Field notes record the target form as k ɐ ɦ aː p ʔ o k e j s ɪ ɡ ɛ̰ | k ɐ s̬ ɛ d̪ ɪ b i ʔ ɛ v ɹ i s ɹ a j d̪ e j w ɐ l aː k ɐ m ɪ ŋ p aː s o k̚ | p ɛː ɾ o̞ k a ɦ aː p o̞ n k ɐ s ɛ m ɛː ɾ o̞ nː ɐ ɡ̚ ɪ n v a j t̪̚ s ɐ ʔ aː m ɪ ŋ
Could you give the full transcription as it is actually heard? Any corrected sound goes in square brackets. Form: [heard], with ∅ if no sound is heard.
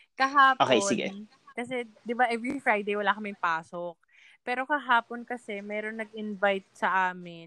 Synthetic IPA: k ɐ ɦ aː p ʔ o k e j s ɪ ɡ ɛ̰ | k ɐ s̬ ɛ d̪ ɪ b [a] ʔ ɛ v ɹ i [f] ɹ a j d̪ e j w ɐ l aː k ɐ m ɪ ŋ p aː s o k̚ | p ɛː ɾ o̞ k [ɐ] ɦ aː p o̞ n k ɐ s ɛ m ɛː ɾ o̞ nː ɐ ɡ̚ ɪ n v a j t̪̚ s ɐ ʔ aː m ɪ [n]